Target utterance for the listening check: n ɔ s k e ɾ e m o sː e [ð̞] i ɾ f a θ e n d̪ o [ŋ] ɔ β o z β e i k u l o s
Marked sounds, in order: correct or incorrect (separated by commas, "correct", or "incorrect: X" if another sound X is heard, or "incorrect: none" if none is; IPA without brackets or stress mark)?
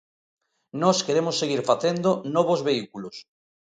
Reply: incorrect: ɣ̞, incorrect: n